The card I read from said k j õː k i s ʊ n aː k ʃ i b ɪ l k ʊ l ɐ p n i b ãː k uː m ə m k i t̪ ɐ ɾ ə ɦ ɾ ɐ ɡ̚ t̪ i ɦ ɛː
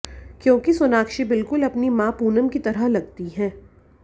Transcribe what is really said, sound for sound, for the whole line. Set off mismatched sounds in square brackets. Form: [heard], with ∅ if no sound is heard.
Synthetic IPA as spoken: k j õː k i s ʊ n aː k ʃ i b ɪ l k ʊ l ɐ p n i [m] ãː [p] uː [n] ə m k i t̪ ɐ ɾ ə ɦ [l] ɐ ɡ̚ t̪ i ɦ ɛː